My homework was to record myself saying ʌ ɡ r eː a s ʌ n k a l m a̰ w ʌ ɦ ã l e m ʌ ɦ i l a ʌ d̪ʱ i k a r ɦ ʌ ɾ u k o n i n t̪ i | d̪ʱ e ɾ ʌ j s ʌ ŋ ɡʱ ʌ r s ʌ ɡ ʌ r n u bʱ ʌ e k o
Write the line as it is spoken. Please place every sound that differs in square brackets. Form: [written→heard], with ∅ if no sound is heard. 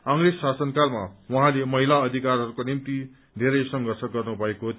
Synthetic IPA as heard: ʌ [ɡ→ŋ] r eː a s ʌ n k a l m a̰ w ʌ ɦ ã l e m ʌ ɦ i l a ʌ d̪ʱ i k a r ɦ ʌ ɾ u k o n i [n→m] t̪ i | d̪ʱ e ɾ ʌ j s ʌ ŋ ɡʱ ʌ r s ʌ ɡ ʌ r n u bʱ ʌ e k o